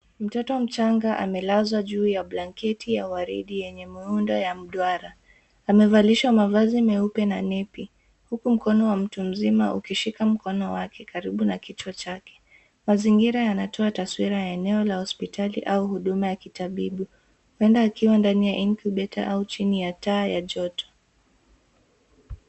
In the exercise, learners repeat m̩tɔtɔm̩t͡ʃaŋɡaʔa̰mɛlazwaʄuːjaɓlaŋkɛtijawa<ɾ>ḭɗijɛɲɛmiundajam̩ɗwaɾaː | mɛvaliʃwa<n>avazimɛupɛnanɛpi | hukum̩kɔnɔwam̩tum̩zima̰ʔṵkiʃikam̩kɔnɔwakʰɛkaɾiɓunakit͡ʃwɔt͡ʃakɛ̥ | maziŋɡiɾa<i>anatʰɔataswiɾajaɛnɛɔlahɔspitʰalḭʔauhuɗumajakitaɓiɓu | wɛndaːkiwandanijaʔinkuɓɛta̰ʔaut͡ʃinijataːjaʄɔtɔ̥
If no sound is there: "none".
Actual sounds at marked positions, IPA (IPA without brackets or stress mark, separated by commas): ɾ, m, j